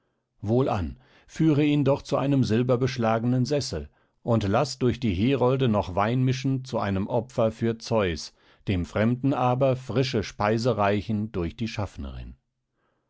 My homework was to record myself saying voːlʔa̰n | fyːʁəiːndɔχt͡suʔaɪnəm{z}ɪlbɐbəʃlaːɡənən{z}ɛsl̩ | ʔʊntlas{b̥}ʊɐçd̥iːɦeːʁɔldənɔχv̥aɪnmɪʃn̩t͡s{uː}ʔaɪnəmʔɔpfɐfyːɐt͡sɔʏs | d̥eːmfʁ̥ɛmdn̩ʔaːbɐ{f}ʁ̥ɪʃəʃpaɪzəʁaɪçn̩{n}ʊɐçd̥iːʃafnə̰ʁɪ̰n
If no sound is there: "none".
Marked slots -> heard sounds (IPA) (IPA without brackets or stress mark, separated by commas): z, z, d̥, u, f, d